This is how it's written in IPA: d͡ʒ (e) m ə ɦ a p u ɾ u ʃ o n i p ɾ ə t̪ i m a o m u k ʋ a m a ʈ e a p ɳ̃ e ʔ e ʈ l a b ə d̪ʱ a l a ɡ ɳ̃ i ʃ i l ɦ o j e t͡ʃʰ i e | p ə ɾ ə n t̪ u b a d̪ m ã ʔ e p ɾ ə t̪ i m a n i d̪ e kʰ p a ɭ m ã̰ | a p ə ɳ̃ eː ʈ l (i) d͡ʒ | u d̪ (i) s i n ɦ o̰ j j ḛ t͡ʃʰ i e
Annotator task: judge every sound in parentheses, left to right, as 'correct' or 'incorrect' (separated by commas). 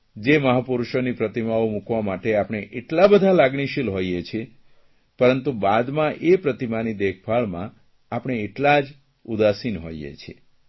correct, incorrect, incorrect